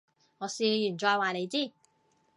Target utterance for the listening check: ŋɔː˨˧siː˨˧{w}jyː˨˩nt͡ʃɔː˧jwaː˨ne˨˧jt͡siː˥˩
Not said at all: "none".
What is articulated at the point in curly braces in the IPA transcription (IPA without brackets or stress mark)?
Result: none